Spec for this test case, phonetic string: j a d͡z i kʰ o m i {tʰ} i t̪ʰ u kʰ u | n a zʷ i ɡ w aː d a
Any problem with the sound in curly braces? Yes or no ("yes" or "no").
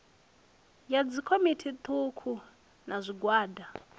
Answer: no